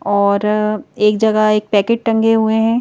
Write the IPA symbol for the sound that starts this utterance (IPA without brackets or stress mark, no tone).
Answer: ɔː